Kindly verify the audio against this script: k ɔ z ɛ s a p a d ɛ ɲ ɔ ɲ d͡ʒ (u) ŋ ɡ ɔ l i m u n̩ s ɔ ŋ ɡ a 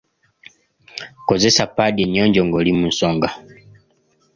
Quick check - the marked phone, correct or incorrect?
incorrect: ɔ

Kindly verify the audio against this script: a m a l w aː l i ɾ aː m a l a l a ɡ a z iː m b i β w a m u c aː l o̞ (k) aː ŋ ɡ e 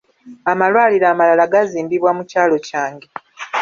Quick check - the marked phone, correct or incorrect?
incorrect: c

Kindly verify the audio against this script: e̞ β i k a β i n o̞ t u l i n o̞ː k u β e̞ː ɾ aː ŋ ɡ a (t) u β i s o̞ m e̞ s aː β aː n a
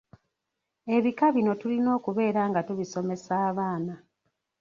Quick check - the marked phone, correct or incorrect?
correct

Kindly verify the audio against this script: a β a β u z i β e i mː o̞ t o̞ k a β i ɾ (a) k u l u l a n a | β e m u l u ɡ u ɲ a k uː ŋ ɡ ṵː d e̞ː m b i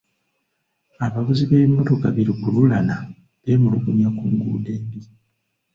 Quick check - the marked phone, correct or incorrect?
incorrect: i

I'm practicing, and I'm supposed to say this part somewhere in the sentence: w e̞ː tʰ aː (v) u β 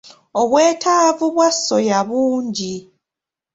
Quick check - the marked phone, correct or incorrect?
correct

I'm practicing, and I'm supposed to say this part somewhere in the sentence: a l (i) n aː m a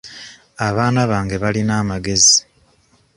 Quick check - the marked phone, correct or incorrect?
correct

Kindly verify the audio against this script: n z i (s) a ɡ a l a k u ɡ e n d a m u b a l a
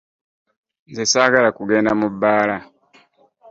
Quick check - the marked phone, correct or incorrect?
correct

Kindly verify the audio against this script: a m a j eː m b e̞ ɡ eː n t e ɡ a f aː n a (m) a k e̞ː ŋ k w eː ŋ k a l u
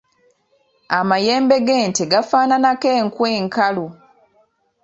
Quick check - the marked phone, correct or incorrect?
incorrect: n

